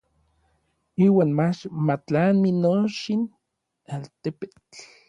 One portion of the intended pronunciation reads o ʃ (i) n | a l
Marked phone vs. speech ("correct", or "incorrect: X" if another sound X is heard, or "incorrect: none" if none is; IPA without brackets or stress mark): correct